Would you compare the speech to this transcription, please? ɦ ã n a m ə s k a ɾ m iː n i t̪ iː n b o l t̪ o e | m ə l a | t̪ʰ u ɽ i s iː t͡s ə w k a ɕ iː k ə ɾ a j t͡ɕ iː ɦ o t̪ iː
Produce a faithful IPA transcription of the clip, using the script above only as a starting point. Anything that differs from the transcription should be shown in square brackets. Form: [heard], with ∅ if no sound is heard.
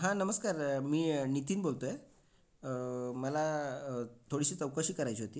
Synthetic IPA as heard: ɦ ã n [ə] m ə s k a ɾ m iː n i t̪ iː n b o l t̪ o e | m ə l a | t̪ʰ [o] ɽ i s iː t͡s ə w k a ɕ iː k ə ɾ a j t͡ɕ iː ɦ o t̪ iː